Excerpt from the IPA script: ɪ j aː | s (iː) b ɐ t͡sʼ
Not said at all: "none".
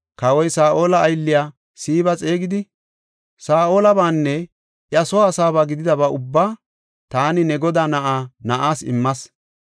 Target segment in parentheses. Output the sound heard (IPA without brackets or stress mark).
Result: iː